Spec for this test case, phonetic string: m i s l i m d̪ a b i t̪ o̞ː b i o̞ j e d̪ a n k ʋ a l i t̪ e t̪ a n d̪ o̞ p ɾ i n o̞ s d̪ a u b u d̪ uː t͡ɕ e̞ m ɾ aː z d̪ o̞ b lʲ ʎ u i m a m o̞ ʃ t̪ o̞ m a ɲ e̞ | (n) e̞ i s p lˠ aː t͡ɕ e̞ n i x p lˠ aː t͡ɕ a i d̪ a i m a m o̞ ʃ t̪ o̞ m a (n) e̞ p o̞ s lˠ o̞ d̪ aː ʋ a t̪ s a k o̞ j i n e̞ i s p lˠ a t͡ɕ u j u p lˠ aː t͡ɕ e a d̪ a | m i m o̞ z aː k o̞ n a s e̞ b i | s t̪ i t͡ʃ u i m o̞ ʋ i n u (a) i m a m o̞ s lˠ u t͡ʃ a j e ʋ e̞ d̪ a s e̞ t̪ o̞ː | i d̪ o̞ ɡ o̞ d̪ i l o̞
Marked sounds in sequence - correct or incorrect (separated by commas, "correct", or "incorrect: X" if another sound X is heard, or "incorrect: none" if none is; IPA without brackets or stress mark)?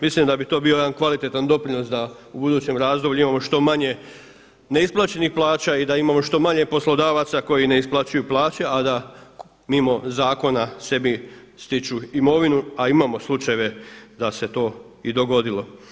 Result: correct, incorrect: ɲ, correct